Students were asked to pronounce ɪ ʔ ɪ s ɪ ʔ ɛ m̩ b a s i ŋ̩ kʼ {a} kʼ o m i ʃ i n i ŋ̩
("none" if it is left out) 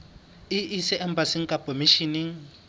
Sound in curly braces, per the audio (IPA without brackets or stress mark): a